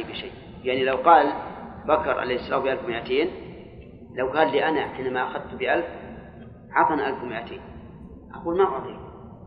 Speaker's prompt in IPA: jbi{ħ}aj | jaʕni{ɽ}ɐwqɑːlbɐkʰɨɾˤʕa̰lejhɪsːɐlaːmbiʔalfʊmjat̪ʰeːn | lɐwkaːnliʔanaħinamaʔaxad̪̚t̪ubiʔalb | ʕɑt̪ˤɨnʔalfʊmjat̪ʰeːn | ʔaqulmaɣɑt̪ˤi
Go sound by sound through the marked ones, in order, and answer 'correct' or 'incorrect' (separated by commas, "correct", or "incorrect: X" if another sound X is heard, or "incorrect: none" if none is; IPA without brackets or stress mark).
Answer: incorrect: ʃ, incorrect: l